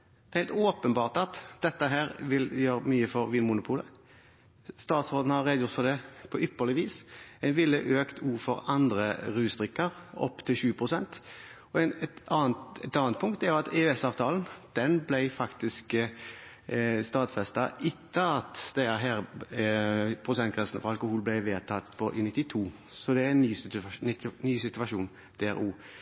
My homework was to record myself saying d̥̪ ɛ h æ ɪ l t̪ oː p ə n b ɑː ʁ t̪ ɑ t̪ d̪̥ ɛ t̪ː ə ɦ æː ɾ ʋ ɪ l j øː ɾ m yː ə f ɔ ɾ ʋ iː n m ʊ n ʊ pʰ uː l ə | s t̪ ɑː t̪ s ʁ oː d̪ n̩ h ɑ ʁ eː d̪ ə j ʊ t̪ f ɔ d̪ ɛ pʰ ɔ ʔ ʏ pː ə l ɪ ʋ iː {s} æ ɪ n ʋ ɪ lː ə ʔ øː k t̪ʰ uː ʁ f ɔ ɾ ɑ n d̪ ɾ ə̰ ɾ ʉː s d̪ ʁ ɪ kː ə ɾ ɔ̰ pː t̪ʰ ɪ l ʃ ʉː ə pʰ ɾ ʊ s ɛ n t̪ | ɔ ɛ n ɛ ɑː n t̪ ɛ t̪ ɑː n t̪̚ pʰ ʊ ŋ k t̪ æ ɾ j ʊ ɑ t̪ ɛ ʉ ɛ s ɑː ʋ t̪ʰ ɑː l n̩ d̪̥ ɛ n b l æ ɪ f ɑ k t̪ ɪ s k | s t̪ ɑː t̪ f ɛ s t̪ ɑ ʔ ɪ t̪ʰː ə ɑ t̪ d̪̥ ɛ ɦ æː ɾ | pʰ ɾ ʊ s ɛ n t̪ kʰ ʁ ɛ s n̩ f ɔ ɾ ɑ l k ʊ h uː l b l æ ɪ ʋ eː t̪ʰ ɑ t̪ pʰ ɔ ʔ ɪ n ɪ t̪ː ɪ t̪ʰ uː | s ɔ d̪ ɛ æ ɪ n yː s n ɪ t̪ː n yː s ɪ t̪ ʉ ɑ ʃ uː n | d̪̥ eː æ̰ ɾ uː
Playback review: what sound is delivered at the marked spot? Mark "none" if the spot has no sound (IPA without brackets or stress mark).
s